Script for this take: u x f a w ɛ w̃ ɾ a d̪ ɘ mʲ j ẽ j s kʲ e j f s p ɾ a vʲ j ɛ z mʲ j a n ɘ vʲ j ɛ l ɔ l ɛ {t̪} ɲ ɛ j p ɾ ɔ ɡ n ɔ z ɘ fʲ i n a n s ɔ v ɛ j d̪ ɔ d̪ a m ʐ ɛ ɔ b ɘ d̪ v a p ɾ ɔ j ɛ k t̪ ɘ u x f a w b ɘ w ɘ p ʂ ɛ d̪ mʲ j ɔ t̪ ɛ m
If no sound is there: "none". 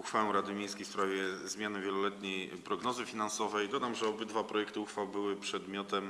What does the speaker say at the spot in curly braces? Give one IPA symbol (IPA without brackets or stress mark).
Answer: t̪